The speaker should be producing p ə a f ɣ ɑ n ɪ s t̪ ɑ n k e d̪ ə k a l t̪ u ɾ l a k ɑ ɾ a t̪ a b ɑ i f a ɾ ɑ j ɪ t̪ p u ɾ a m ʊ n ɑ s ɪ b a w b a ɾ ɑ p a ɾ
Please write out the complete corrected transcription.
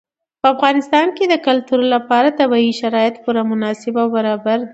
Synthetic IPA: p ə a f ɣ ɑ n ɪ s t̪ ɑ n k e d̪ ə k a l t̪ u ɾ l a p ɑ ɾ a t̪ a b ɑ i ʃ a ɾ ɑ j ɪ t̪ p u ɾ a m ʊ n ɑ s ɪ b a w b a ɾ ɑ b a ɾ